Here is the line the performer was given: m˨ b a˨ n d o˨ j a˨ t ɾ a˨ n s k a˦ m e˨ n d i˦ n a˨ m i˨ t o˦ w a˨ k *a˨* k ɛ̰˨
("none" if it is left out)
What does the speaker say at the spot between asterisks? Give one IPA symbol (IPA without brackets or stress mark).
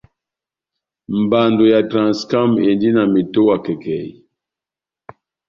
ɛ˨